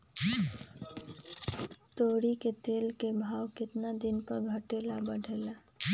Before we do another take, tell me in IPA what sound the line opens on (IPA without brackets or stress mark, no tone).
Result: t̪